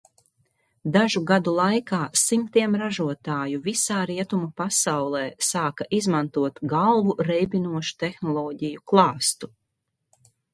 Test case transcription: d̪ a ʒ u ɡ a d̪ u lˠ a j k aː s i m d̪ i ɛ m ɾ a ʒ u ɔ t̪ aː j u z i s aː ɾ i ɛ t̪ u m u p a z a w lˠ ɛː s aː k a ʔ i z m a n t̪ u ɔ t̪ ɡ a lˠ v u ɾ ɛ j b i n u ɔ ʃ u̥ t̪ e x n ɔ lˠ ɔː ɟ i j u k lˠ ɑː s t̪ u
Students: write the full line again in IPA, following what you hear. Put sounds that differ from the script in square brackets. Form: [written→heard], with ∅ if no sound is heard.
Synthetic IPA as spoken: d̪ a ʒ u ɡ a d̪ u lˠ a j k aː s i m [d̪→t̪] i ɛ m ɾ a ʒ u ɔ t̪ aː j u [z→v] i s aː ɾ i ɛ t̪ u m u p a [z→s] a w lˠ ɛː s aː k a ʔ i z m a n t̪ u ɔ t̪ ɡ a lˠ v u ɾ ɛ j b i n u ɔ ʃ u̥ t̪ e x n ɔ lˠ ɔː ɟ i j u k lˠ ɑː s t̪ u